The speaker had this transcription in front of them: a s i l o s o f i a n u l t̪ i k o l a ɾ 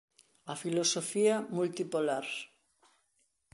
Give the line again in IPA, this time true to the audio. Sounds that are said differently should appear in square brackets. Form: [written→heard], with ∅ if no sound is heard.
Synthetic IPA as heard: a [s→f] i l o s o f i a [n→m] u l t̪ i [k→p] o l a ɾ